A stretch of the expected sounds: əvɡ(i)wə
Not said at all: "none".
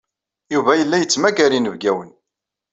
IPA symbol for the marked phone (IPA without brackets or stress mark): æ